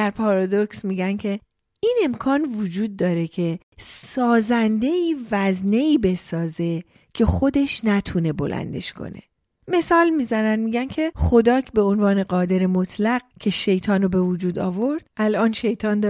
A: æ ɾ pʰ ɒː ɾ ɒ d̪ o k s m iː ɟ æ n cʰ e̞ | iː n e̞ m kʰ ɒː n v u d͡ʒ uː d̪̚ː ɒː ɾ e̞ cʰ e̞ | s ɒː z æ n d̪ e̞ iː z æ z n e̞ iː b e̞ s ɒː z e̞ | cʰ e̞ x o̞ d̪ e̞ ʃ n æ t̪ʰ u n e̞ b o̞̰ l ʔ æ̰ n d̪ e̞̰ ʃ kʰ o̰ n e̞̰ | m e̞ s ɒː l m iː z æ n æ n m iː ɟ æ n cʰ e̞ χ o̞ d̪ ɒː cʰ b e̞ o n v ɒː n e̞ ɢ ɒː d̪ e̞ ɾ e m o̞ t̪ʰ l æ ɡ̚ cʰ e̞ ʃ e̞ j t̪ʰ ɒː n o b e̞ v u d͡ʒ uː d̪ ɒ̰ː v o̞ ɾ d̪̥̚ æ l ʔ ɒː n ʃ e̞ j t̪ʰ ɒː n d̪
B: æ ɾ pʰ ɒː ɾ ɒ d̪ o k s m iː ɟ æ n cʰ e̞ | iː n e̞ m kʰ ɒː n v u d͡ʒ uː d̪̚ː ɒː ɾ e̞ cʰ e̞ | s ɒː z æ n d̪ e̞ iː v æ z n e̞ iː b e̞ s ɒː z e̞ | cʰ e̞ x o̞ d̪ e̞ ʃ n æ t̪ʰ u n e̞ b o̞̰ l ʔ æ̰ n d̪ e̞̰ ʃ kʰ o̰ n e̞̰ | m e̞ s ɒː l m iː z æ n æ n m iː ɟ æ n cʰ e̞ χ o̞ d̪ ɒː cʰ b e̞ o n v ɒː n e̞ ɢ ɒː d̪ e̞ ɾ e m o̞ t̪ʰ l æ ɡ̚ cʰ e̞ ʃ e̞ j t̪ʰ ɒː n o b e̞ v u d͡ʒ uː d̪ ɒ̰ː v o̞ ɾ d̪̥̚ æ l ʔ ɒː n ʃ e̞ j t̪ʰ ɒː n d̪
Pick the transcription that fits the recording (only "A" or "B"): B